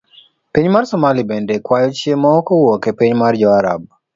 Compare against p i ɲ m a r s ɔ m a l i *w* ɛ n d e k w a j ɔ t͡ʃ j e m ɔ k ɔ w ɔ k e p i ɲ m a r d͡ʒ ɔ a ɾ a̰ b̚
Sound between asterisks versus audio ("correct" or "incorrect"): incorrect